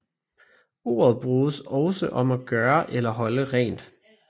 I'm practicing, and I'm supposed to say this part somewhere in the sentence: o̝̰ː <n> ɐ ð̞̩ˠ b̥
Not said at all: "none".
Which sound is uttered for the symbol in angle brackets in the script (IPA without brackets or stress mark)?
none